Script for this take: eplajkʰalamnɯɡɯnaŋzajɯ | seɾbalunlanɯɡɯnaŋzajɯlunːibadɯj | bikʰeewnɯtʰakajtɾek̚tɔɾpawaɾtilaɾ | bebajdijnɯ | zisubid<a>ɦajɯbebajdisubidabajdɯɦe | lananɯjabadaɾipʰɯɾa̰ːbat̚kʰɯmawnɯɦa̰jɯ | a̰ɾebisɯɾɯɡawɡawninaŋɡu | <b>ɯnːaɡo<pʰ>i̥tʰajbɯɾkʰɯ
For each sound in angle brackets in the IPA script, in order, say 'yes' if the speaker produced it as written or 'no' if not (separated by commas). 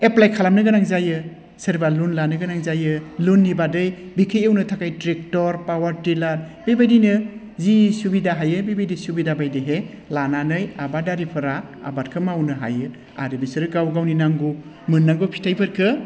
yes, no, yes